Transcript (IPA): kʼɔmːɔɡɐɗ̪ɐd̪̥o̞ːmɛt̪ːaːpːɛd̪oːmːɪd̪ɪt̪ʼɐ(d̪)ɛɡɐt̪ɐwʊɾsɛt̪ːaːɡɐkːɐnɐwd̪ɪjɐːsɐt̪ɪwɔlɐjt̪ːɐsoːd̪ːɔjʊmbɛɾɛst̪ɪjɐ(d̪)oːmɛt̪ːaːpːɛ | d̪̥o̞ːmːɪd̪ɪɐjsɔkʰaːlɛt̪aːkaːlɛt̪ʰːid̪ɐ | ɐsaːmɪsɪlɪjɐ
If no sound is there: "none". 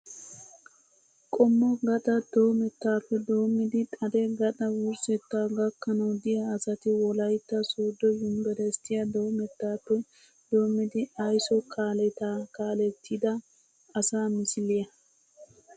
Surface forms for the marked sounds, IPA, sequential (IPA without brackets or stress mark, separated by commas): d̪, d̪